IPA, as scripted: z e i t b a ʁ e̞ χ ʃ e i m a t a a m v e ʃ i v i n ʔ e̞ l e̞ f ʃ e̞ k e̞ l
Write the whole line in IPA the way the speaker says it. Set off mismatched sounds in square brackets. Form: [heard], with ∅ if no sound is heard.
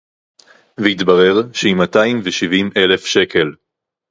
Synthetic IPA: [v] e i t b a ʁ e̞ [ʁ] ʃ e i m a t a [i] m v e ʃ i v i [m] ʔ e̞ l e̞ f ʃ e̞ k e̞ l